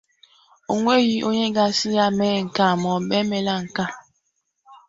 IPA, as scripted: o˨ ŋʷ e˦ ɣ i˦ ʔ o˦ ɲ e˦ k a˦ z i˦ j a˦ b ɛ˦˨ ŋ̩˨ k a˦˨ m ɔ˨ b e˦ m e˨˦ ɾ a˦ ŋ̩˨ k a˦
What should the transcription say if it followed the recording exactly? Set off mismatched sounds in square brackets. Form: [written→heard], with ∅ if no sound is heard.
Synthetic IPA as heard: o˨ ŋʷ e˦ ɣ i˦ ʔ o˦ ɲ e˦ [k→ɡ] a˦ [z→s] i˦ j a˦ [b→m] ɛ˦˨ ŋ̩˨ k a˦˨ m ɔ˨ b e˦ m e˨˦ [ɾ→l] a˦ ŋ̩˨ k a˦